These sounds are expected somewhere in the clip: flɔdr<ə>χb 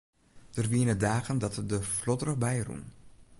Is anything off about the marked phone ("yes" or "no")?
no